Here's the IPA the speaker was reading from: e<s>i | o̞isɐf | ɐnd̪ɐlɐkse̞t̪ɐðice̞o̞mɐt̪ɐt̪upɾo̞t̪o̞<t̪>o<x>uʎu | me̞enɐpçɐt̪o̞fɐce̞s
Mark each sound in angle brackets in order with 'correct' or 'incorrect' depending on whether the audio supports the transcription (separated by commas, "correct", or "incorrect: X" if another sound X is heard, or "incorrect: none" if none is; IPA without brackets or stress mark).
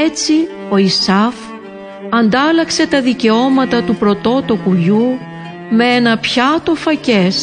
incorrect: t͡s, correct, incorrect: k